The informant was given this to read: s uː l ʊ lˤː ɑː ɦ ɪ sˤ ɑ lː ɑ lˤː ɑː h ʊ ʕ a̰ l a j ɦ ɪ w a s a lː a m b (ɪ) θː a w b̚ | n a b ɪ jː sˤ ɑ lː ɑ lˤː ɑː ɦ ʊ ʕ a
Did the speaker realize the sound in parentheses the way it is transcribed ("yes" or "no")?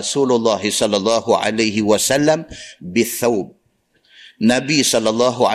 yes